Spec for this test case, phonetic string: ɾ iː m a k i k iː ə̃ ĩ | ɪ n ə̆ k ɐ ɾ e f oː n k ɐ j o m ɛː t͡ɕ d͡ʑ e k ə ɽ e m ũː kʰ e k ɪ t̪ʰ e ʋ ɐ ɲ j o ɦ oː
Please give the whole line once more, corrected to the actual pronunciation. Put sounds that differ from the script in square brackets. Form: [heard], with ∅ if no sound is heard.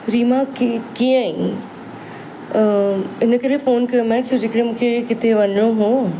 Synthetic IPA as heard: ɾ iː m a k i k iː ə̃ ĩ | ɪ n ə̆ k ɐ ɾ e f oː n k ɐ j o m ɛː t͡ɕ d͡ʑ e k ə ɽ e m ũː kʰ e k ɪ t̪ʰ e ʋ ɐ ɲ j o ɦ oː